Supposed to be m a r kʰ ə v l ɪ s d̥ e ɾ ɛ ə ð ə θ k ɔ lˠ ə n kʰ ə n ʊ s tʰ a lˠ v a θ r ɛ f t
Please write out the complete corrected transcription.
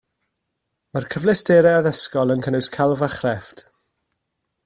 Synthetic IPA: m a r kʰ ə v l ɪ s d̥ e ɾ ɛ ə ð ə s k ɔ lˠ ə n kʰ ə n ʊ s kʰ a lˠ v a χ r ɛ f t